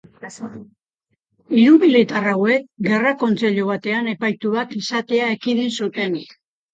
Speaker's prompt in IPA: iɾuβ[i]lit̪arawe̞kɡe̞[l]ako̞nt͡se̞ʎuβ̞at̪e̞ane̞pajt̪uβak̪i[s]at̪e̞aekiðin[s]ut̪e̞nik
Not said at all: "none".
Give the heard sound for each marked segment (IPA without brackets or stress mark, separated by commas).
i, r, s, s